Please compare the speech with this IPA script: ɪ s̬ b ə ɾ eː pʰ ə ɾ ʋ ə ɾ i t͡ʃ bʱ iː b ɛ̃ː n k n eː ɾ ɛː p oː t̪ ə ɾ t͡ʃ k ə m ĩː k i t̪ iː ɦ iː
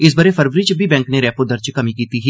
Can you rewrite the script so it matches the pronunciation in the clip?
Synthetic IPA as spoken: ɪ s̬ b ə ɾ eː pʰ ə ɾ ʋ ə ɾ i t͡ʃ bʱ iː b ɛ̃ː ŋ k n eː ɾ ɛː p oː d̪ ə ɾ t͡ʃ k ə m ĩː k iː t̪ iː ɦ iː